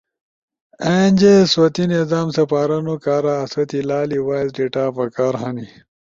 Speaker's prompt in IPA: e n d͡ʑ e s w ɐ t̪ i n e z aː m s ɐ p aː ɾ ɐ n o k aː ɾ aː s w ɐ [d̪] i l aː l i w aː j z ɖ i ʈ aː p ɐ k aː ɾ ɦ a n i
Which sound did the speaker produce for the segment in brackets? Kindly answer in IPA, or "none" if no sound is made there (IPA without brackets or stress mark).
t̪